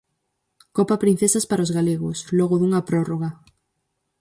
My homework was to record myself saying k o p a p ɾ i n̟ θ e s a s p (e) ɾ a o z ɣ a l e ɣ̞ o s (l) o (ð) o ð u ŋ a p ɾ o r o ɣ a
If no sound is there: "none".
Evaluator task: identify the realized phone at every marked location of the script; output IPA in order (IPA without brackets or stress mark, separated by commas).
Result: a, l, ɣ